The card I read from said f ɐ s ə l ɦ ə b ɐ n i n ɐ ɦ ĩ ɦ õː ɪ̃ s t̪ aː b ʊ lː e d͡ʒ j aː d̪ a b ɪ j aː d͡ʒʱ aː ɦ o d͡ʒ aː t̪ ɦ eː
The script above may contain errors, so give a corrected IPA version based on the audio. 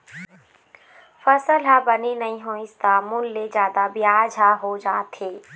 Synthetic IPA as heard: f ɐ s ə l ɦ a b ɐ n i n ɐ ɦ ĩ ɦ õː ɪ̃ s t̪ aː m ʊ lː e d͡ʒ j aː d̪ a b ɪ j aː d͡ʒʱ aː ɦ o d͡ʒ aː t̪ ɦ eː